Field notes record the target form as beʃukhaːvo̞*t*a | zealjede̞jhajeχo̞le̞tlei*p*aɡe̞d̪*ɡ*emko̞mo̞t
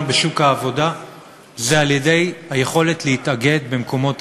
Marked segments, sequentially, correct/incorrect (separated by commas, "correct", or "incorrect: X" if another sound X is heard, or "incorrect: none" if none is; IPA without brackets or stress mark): incorrect: d, incorrect: t, incorrect: b